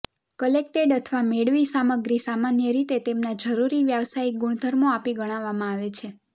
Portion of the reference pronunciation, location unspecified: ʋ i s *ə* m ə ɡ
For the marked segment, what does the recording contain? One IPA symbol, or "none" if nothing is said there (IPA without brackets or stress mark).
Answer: a